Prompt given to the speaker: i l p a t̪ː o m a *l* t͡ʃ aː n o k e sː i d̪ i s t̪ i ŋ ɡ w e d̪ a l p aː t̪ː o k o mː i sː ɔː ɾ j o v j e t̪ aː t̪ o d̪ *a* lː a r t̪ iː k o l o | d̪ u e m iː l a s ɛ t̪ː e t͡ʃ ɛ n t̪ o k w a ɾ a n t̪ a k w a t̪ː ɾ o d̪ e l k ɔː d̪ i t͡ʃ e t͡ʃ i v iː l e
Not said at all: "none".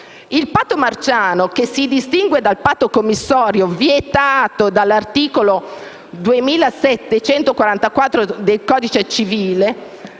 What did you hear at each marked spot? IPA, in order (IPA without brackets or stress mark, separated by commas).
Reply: r, a